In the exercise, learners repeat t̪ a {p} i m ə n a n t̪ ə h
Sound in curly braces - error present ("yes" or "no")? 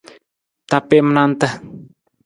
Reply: no